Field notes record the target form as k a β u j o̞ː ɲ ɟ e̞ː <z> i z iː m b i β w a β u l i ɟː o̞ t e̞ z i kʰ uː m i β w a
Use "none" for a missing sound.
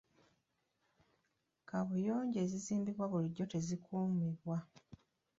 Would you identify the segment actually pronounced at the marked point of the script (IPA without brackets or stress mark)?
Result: z